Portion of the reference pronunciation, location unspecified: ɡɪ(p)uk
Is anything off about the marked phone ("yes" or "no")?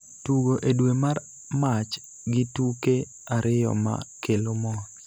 yes